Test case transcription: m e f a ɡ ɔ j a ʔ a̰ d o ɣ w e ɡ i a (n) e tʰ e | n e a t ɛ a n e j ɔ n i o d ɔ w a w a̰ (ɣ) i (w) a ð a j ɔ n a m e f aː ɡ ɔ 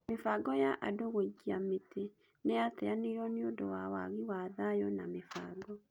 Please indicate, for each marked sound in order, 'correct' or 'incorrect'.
incorrect, correct, correct

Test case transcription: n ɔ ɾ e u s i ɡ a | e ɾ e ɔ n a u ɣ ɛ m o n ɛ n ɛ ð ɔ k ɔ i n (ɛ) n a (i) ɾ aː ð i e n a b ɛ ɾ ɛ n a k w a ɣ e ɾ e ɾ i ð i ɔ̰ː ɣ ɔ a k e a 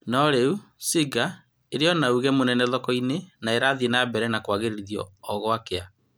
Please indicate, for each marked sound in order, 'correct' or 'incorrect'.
incorrect, incorrect

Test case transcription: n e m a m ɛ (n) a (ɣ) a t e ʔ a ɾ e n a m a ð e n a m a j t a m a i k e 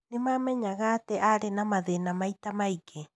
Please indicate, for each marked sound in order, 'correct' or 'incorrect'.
incorrect, correct

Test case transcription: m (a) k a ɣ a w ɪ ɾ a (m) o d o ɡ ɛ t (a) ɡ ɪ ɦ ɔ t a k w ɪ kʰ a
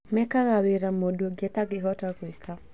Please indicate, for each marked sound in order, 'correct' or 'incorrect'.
incorrect, correct, correct

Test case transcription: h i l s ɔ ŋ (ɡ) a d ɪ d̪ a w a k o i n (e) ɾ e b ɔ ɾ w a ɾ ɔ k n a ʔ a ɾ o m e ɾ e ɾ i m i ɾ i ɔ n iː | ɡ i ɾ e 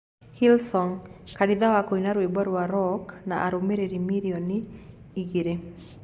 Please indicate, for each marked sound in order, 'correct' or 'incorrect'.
incorrect, incorrect

